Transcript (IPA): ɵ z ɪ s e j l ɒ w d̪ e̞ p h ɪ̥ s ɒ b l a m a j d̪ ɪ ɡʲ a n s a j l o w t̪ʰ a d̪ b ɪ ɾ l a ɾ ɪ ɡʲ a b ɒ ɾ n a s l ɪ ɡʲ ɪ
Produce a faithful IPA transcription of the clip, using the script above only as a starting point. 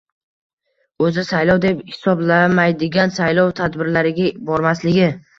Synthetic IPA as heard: ɵ z ɪ s a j l ɒ w d̪ e̞ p h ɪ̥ s ɒ b l a m a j d̪ ɪ ɡʲ a n s a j l ɒ w t̪ʰ a d̪ b ɪ ɾ l a ɾ ɪ ɡʲ a b ɒ ɾ m a s l ɪ ɡʲ ɪ